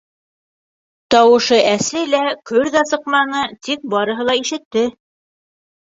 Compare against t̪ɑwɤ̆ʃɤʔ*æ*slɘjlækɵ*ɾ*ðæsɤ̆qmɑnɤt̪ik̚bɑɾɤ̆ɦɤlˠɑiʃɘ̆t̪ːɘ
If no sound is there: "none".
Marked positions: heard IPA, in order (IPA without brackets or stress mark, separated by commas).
æ, ɾ